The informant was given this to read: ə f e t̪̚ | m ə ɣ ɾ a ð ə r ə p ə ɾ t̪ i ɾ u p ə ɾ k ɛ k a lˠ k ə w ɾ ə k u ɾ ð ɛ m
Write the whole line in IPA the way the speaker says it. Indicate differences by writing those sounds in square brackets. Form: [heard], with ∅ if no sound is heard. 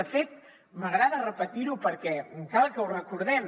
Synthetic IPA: ə f e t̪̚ | m ə ɣ ɾ a ð ə r ə p ə [∅] t̪ i ɾ u p ə ɾ k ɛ k a lˠ k ə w [r] ə k u ɾ ð ɛ m